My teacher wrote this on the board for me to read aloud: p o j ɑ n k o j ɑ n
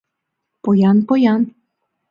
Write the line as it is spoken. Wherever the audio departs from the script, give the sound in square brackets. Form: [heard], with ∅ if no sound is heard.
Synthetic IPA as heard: p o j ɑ n [p] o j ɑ n